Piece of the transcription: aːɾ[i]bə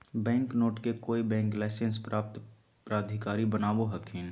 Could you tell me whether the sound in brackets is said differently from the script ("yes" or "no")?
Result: no